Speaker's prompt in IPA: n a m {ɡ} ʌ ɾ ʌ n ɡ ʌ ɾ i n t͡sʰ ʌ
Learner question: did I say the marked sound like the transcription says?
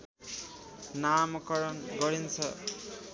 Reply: no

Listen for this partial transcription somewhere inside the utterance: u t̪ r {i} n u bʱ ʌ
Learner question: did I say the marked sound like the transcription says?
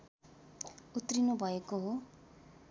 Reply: yes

